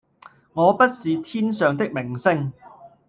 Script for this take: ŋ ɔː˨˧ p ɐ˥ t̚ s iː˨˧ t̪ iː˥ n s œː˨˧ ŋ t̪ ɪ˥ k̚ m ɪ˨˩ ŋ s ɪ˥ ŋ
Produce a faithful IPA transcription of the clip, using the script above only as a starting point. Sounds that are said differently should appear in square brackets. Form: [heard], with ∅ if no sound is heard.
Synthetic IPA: ŋ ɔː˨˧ p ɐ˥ t̚ s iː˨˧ [t̪ʰ] iː˥ n s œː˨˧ ŋ t̪ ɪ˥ k̚ m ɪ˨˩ ŋ s ɪ˥ ŋ